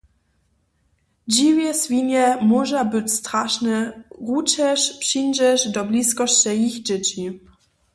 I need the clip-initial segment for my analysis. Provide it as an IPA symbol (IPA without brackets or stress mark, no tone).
d͡ʑ